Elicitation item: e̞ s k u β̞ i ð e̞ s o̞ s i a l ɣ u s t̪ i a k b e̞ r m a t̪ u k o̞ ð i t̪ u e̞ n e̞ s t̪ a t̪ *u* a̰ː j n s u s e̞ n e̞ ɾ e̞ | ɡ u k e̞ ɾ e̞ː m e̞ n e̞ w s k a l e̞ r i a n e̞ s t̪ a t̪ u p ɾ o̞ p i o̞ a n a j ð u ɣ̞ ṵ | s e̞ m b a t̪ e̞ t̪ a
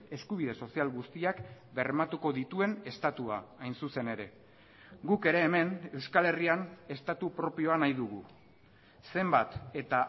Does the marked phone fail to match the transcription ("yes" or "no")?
no